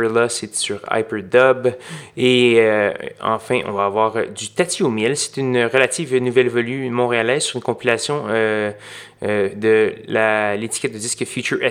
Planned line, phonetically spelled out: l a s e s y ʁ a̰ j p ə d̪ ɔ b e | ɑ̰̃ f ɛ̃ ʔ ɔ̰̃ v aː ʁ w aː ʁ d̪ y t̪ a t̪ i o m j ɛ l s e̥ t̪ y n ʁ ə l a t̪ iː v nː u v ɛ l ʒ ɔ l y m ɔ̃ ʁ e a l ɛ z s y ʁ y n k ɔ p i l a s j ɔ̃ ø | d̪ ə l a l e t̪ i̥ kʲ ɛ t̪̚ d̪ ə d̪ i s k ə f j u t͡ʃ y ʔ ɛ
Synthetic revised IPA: l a s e s y ʁ a̰ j p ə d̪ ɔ b e | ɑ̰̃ f ɛ̃ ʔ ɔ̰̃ v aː v w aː ʁ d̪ y t̪ a t̪ i o m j ɛ l s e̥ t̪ y n ʁ ə l a t̪ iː v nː u v ɛ l v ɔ l y m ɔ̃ ʁ e a l ɛ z s y ʁ y n k ɔ̃ p i l a s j ɔ̃ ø | d̪ ə l a l e t̪ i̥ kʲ ɛ t̪̚ d̪ ə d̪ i s k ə f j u t͡ʃ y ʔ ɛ